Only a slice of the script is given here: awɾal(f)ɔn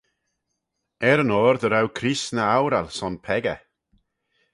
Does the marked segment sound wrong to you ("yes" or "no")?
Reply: yes